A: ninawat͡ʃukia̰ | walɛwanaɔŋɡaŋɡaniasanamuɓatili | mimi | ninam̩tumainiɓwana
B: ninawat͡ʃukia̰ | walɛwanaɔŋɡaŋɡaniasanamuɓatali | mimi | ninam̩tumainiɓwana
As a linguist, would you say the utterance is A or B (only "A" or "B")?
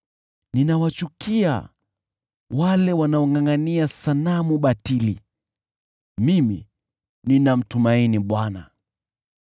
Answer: A